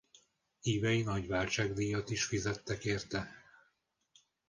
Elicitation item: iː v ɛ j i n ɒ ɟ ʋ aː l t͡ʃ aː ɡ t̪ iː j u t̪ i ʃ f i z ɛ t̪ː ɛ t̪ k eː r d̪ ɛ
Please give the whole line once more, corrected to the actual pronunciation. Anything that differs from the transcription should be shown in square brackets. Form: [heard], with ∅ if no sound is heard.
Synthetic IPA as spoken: iː v ɛ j i n ɒ ɟ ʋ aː l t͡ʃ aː ɡ [d̪] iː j [ɒ] t̪ i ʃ f i z ɛ t̪ː ɛ [∅] k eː r [t̪] ɛ